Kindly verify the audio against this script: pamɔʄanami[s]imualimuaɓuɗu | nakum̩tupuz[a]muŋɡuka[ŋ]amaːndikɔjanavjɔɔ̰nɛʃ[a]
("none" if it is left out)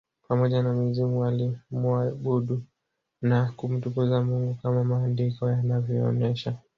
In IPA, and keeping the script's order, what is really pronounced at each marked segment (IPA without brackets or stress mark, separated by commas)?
z, a, m, a